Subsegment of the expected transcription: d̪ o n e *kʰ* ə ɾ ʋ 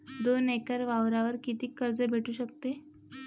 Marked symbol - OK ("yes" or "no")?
no